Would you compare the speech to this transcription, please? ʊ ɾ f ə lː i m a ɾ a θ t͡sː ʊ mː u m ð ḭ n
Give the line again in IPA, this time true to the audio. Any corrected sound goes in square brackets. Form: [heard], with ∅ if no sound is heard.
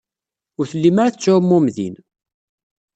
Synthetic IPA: ʊ ɾ [θ] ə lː i m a ɾ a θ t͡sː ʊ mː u m ð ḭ n